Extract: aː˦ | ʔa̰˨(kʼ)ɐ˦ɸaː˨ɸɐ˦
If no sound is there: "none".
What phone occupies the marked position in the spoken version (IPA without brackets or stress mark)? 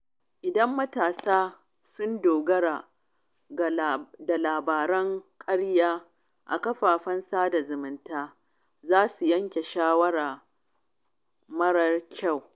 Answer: k